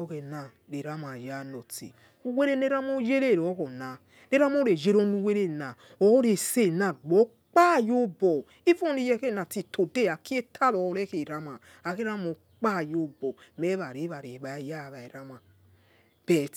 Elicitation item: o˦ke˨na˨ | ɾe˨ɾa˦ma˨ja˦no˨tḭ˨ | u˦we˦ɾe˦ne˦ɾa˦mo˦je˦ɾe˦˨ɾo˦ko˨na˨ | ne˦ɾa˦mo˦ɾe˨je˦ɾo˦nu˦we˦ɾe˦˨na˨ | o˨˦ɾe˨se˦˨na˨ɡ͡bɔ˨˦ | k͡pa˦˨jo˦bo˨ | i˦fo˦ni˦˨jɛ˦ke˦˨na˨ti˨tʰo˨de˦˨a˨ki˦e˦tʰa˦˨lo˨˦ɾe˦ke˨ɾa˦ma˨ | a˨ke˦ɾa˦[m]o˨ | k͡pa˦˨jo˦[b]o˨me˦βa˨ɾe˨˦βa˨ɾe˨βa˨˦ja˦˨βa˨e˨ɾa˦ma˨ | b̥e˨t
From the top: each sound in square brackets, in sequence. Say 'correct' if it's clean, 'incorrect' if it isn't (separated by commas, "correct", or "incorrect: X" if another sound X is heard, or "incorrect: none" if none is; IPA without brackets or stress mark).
correct, correct